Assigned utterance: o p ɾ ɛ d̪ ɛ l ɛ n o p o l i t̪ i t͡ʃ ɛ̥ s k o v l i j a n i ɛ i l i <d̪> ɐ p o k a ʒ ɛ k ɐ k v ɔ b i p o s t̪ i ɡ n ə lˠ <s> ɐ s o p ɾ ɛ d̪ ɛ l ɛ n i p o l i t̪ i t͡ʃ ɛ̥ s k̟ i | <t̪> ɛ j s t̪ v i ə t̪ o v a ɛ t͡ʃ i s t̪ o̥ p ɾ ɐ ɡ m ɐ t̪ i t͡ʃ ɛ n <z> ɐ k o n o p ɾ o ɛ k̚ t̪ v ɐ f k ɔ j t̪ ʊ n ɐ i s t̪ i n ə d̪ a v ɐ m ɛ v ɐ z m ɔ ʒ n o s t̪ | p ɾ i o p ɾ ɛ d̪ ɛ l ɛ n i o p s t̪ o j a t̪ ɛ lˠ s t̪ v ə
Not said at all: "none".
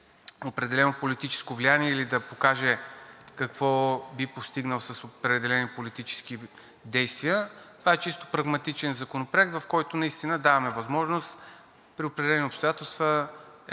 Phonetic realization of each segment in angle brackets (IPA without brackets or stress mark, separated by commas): d̪, s, d̪, z